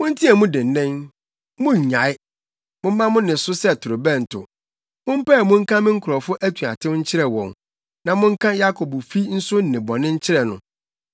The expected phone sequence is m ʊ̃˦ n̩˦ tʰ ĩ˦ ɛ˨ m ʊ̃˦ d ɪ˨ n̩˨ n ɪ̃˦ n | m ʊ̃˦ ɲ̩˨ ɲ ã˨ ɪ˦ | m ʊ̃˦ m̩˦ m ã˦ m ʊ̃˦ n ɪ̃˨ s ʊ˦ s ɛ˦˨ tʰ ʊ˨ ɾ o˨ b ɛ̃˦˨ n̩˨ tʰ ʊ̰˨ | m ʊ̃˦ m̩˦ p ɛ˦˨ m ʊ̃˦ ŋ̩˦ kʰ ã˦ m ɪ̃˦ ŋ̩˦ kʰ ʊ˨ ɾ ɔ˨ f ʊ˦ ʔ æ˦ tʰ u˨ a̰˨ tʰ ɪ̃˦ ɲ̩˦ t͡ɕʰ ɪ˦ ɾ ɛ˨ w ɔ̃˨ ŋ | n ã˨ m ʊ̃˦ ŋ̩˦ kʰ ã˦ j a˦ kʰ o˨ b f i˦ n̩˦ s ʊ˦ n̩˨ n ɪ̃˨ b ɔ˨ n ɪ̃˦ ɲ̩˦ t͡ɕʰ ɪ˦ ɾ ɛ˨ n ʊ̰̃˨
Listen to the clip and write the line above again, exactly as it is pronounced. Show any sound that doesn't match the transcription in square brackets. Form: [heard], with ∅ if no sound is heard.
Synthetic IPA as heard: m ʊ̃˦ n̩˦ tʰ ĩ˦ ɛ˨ m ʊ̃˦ d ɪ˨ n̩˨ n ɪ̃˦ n | m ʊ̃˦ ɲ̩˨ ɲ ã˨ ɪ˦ | m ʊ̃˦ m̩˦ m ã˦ m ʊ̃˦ n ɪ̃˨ s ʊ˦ s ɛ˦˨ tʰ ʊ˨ ɾ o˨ b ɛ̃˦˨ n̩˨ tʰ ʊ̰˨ | m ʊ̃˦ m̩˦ p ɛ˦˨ m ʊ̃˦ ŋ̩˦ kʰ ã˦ m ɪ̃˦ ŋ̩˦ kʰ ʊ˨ ɾ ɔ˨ f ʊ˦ ʔ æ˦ tʰ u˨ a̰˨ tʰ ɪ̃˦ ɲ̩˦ t͡ɕʰ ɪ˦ ɾ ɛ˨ w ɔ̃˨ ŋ | n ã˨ m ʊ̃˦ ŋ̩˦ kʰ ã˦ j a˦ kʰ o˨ b f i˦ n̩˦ s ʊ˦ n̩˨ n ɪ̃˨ b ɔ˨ n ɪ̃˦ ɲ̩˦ t͡ɕʰ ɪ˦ ɾ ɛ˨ n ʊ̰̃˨